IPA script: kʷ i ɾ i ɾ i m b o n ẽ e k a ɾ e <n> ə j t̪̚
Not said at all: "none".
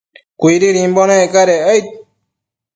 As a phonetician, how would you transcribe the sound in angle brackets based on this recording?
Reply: none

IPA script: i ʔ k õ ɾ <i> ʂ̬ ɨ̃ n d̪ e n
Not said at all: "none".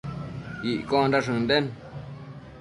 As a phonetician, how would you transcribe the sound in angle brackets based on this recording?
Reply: a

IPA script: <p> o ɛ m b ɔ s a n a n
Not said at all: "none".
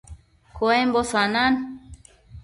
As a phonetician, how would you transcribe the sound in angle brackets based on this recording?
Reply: k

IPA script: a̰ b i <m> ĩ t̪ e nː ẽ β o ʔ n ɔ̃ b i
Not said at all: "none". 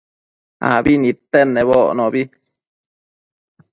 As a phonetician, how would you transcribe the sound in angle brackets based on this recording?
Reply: n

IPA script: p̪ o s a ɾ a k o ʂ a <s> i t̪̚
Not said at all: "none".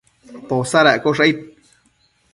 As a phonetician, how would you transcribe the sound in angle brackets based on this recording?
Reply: none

